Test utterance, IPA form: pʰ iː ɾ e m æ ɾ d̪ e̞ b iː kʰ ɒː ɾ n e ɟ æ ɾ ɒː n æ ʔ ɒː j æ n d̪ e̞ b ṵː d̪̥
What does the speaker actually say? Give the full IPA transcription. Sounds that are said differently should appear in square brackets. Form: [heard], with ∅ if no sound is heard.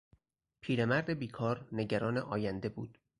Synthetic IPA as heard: pʰ iː ɾ e m æ ɾ d̪ e̞ b iː kʰ ɒː ɾ n e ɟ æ ɾ ɒː n [e] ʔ ɒː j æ n d̪ e̞ b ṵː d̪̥